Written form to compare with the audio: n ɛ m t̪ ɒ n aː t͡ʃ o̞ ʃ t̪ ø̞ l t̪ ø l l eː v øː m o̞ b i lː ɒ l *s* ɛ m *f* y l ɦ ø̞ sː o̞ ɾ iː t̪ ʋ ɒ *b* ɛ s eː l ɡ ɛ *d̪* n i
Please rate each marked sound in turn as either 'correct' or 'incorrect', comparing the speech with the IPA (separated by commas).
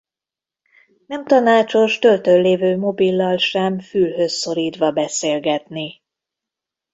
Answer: incorrect, correct, correct, incorrect